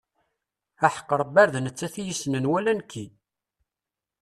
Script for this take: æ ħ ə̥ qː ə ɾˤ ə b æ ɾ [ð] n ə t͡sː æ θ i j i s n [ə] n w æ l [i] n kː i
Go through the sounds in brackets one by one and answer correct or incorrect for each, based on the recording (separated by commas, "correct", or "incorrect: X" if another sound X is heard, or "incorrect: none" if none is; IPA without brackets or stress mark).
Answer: correct, correct, incorrect: æ